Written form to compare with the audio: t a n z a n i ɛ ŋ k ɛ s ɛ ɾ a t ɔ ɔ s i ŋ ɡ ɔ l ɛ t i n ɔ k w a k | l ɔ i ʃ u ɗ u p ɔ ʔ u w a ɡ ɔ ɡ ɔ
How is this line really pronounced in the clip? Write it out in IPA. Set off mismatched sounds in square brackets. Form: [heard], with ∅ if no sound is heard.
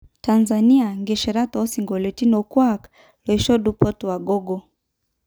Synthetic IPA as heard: t a n z a n i [a] ŋ [ɡ] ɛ [ʃ] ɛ ɾ a t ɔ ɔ s i ŋ ɡ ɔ l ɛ t i n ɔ k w a k | l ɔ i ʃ [ɔ] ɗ u p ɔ [t] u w a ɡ ɔ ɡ ɔ

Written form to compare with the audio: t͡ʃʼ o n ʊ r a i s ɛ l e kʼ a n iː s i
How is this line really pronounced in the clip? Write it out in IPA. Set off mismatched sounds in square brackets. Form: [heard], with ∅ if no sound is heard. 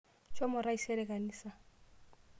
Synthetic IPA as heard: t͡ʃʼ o [m] ʊ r a i s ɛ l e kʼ a n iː s [a]

